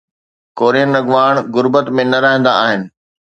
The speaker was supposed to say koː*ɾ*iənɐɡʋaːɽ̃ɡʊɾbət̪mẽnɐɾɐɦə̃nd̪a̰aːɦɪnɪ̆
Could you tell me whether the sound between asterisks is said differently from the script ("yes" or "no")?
no